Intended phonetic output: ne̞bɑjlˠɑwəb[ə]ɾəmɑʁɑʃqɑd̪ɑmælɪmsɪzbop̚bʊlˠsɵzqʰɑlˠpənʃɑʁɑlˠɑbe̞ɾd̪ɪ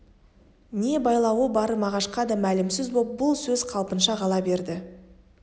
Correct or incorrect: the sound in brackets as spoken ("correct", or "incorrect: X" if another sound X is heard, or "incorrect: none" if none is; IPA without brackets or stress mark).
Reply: incorrect: ɑ